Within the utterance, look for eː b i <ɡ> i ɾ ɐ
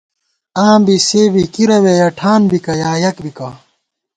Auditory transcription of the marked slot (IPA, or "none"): k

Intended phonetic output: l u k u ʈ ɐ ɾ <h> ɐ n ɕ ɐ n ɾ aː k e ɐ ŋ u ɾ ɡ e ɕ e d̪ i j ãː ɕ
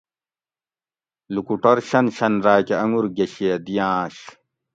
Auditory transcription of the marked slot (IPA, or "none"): ɕ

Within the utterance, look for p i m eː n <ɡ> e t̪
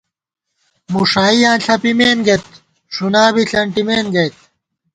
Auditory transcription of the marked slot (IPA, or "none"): ɡ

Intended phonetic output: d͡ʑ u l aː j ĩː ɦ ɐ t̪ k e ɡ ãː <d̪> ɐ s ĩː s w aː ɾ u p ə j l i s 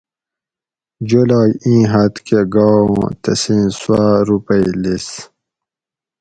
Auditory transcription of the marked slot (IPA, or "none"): t̪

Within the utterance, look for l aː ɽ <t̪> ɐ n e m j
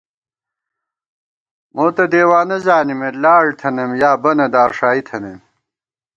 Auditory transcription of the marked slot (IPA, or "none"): t̪ʰ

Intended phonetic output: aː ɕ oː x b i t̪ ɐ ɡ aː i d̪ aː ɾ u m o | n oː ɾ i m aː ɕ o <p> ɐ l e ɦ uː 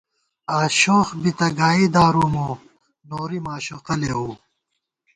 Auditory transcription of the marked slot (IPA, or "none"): q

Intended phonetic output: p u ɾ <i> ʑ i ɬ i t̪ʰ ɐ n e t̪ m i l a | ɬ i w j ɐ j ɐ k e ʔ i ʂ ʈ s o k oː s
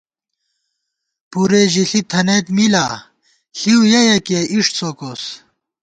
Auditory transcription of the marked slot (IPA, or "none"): e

